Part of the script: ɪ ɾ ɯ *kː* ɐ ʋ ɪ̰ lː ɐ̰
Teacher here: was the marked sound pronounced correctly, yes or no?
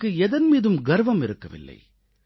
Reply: yes